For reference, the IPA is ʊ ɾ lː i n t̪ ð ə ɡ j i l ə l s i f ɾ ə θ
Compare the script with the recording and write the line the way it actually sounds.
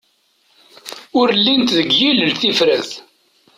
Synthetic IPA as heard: ʊ ɾ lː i n t̪ ð ə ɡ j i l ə l θ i f ɾ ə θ